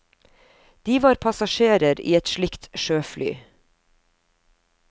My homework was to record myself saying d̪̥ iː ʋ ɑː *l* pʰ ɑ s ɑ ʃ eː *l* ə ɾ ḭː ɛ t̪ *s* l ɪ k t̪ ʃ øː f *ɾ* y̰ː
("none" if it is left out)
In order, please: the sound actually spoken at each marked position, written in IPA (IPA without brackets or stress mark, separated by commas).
ɾ, ɾ, ʃ, l